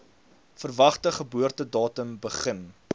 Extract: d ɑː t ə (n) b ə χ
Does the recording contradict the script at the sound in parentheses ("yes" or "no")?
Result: yes